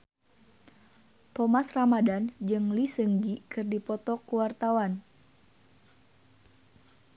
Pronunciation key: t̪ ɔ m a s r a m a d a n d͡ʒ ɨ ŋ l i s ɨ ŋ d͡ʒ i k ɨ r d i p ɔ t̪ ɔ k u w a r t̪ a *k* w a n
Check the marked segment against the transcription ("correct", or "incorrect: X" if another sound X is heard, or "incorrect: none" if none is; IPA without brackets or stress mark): incorrect: none